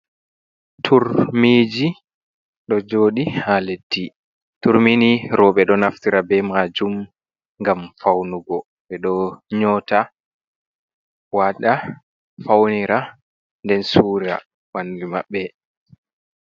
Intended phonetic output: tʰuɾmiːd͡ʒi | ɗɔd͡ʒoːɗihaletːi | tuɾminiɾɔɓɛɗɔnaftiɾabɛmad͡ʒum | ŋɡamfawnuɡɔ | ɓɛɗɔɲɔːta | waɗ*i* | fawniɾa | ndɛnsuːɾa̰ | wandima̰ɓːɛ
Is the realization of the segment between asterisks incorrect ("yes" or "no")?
yes